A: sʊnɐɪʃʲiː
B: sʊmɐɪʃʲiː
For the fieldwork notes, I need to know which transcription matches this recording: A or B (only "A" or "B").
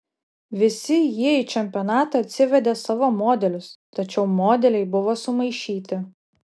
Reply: B